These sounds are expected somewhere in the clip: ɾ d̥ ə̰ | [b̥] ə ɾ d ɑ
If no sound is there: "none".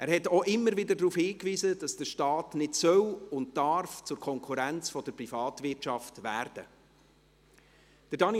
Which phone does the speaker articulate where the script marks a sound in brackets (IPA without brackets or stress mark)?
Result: d̥